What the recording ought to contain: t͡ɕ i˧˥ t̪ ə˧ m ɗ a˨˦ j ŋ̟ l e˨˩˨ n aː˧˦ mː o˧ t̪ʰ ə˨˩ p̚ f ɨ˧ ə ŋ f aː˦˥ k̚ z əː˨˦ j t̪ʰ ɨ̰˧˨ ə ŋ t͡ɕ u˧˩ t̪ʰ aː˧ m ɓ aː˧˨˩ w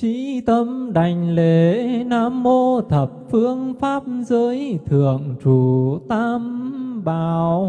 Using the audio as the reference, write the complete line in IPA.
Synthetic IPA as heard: t͡ɕ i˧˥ t̪ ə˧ m ɗ a˨˩ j ŋ̟ l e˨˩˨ n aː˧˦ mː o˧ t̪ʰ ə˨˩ p̚ f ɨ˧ ə ŋ f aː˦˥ p̚ z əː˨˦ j t̪ʰ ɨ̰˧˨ ə ŋ t͡ɕ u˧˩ t̪ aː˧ m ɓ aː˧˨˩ w